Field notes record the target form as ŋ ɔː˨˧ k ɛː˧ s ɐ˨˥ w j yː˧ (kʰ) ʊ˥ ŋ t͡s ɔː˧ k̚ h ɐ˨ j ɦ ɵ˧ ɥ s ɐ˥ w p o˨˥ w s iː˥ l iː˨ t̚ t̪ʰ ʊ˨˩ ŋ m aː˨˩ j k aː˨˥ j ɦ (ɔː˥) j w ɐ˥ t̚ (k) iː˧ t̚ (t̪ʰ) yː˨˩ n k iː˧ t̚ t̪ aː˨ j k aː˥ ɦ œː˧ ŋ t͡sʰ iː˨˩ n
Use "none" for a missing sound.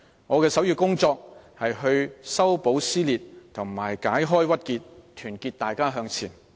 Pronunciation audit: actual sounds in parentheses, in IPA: k, ɔː˥, k, t̪ʰ

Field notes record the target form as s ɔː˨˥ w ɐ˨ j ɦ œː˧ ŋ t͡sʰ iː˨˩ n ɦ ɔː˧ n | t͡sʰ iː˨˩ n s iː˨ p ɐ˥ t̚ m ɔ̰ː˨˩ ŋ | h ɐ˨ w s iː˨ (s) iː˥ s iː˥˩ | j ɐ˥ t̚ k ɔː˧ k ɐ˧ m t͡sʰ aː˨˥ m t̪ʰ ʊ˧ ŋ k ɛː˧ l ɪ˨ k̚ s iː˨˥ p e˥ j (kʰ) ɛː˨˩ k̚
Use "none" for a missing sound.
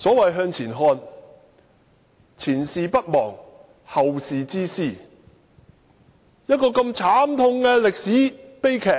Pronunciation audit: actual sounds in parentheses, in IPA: t͡s, kʰ

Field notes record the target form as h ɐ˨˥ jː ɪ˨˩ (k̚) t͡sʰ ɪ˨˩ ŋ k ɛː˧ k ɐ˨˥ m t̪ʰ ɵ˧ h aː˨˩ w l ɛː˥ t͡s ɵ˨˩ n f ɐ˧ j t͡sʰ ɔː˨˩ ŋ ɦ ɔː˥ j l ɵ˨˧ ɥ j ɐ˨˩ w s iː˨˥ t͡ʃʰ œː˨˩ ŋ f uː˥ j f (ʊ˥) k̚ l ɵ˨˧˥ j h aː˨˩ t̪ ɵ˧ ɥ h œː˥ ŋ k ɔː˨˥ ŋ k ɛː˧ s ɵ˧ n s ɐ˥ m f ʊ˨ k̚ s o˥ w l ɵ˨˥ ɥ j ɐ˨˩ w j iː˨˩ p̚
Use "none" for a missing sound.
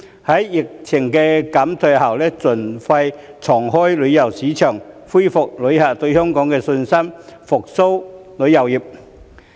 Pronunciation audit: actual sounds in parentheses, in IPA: k̚, ʊ˨

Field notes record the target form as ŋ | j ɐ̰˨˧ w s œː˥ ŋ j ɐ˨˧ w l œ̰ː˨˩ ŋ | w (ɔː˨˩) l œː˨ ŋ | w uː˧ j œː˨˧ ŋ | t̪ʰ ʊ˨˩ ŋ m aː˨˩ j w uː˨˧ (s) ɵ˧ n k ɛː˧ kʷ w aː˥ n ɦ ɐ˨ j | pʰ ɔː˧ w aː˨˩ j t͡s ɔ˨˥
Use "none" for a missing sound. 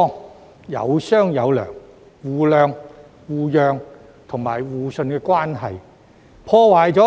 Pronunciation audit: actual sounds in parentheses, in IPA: uː˨˩, s

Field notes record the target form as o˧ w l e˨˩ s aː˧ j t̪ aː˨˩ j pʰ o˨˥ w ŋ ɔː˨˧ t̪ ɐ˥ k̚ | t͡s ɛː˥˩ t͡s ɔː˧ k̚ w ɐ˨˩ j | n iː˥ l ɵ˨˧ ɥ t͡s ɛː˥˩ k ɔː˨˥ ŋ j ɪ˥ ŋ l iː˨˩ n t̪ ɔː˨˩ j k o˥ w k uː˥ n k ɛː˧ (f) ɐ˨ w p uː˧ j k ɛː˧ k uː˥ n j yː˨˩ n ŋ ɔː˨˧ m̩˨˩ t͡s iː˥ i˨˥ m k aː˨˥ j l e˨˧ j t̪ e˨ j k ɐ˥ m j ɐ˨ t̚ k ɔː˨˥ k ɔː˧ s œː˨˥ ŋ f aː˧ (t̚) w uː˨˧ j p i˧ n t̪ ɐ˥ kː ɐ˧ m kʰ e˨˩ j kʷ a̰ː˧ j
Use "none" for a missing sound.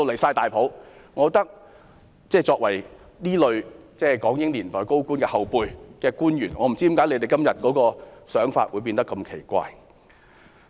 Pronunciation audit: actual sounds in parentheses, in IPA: h, t̚

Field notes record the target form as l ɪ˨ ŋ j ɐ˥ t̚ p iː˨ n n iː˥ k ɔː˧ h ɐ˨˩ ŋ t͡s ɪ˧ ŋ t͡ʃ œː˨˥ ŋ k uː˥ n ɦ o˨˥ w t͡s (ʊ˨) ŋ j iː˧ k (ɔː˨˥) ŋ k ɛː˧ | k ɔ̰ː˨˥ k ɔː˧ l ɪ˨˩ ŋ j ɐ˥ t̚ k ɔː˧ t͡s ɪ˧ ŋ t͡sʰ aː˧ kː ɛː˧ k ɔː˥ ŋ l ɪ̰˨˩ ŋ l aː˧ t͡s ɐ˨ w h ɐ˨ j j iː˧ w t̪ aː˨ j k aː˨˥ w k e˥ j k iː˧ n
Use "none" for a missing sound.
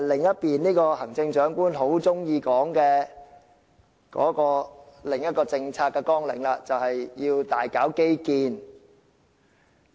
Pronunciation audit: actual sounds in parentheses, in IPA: ʊ˥, ɔː˨˥

